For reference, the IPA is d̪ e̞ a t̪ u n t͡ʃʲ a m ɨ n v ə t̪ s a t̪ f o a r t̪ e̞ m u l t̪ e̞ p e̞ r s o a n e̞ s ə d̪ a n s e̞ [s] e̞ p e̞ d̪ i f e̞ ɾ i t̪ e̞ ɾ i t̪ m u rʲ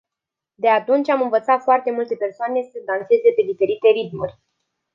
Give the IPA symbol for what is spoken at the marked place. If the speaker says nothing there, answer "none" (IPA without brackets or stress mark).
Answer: z